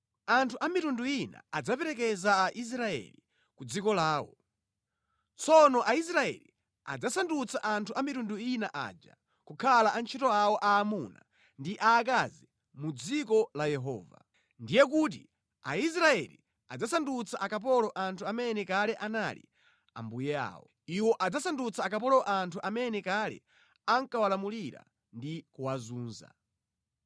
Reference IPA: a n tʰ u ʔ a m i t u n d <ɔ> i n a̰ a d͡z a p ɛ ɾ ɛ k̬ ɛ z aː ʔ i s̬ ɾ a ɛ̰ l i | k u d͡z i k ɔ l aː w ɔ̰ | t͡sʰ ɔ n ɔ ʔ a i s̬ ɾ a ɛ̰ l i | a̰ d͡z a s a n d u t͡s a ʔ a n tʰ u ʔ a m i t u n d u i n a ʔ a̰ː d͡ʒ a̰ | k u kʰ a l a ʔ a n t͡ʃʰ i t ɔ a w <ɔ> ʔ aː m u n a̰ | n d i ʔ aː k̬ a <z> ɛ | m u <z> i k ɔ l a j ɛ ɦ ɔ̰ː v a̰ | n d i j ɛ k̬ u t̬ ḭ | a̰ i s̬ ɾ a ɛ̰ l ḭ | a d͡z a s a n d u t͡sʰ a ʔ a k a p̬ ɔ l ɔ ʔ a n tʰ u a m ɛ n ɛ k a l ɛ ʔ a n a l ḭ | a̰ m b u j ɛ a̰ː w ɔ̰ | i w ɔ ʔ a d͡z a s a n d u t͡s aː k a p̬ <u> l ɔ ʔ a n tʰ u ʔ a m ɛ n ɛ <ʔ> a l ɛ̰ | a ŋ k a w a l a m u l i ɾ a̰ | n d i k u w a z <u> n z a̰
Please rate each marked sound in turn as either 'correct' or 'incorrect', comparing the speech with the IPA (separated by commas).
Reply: incorrect, correct, correct, incorrect, incorrect, incorrect, incorrect